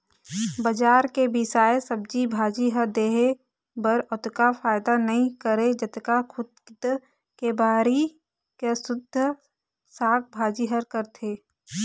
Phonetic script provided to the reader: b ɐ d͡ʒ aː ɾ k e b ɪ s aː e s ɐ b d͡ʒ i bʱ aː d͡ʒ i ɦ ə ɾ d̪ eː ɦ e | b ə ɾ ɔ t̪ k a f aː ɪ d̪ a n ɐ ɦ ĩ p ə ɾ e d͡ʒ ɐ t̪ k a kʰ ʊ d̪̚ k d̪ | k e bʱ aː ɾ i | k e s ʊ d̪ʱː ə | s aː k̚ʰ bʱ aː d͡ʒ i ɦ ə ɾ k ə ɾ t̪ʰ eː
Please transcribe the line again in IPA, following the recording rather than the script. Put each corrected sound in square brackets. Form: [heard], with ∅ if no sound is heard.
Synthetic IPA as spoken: b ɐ d͡ʒ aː ɾ k e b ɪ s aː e s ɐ b d͡ʒ i bʱ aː d͡ʒ i ɦ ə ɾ d̪ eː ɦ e | b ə ɾ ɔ t̪ k a f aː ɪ d̪ a n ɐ ɦ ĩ [k] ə ɾ e d͡ʒ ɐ t̪ k a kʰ ʊ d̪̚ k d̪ | k e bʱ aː ɾ i | k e s ʊ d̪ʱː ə | s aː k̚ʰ bʱ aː d͡ʒ i ɦ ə ɾ k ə ɾ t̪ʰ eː